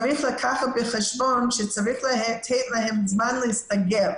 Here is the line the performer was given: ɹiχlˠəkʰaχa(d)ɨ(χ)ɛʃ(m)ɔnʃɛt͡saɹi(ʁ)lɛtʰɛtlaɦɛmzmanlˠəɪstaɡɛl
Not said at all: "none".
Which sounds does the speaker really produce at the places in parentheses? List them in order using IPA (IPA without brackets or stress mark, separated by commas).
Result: b, χ, b, χ